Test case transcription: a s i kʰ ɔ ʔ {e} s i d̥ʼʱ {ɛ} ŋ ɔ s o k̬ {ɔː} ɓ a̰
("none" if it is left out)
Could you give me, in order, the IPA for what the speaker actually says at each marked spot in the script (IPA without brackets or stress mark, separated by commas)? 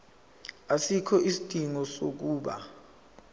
i, i, uː